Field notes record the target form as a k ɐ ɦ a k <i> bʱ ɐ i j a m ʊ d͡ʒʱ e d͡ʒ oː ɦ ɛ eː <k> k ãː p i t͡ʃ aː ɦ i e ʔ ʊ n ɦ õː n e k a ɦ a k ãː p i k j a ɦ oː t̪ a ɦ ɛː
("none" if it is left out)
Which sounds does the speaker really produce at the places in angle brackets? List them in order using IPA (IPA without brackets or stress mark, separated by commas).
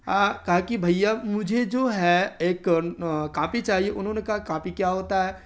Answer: i, k